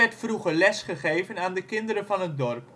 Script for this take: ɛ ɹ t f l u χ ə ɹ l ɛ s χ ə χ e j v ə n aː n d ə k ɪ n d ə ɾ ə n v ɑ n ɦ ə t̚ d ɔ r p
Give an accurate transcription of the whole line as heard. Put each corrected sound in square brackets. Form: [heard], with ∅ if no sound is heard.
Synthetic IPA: ɛ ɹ t f [r] u χ ə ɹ l ɛ s χ ə χ e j v ə n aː n d ə k ɪ n d ə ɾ ə n v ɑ n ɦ ə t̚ d ɔ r p